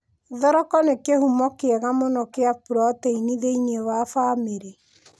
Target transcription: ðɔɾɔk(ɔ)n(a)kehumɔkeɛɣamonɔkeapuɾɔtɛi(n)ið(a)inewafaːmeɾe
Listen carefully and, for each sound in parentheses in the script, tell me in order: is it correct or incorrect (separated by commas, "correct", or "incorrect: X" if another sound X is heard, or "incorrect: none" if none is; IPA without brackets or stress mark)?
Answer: correct, incorrect: e, correct, incorrect: e